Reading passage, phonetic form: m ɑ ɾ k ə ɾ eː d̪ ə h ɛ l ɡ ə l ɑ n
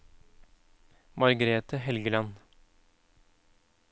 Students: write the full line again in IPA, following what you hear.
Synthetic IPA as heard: m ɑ ɾ ɡ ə ɾ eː t̪ ə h ɛ l ɡ ə l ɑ n